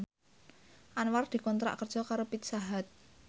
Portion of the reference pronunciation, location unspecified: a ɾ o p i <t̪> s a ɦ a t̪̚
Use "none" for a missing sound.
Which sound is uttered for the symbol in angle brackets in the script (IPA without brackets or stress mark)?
t̪